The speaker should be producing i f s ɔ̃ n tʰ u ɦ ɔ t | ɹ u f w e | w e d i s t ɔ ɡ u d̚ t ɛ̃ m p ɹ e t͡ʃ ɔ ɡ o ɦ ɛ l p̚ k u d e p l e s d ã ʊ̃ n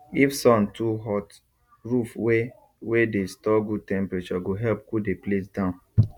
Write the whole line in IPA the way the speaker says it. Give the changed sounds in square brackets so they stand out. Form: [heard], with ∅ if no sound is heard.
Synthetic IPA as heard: i f s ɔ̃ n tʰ u ɦ ɔ t | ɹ u f w e | w e d [e] s t ɔ ɡ u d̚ t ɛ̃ m p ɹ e t͡ʃ ɔ ɡ o ɦ ɛ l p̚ k u d e p l e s d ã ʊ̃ n